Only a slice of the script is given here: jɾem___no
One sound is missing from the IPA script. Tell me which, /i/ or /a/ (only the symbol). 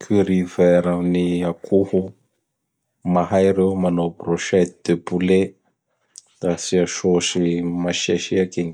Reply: a